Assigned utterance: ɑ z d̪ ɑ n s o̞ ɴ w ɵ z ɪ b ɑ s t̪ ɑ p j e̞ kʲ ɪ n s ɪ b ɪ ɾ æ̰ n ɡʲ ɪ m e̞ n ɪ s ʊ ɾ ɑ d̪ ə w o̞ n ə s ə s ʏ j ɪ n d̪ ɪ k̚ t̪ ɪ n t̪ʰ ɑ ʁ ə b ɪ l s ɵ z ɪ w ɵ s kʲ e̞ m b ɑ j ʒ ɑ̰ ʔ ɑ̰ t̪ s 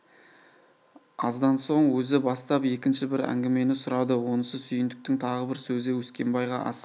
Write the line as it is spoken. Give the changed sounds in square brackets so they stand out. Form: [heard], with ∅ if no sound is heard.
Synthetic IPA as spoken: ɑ z d̪ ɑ n s o̞ ɴ w ɵ z ɪ b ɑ s t̪ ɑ p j e̞ kʲ ɪ n [ʃ] ɪ b ɪ ɾ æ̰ [ŋ] ɡʲ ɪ m e̞ n ɪ s ʊ ɾ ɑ d̪ ə w o̞ n ə s ə s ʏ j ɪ n d̪ ɪ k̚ t̪ ɪ [ŋ] t̪ʰ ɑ ʁ ə b ɪ [ɾ] s ɵ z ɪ w ɵ s kʲ e̞ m b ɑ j [ʁ] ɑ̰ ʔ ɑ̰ [∅] s

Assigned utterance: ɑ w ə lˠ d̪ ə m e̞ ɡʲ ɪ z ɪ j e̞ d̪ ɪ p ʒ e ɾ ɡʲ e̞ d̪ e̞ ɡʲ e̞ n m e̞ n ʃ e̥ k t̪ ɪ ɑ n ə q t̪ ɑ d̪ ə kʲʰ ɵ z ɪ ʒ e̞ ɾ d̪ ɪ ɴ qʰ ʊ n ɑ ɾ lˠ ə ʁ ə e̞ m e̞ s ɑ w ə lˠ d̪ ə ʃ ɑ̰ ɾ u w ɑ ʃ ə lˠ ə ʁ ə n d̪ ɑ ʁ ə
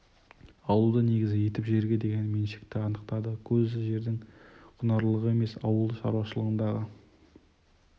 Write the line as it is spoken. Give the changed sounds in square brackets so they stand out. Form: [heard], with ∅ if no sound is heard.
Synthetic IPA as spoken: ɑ w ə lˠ d̪ ə [n] e̞ ɡʲ ɪ z ɪ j e̞ [t̪] ɪ p ʒ e ɾ ɡʲ e̞ d̪ e̞ ɡʲ e̞ n m e̞ n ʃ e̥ k t̪ ɪ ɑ n ə q t̪ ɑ d̪ ə kʲʰ ɵ z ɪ ʒ e̞ ɾ d̪ ɪ [ŋ] qʰ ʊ n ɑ ɾ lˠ ə ʁ ə e̞ m e̞ s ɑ w ə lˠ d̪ ə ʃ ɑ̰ ɾ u w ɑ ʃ ə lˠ ə ʁ ə n d̪ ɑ ʁ ə

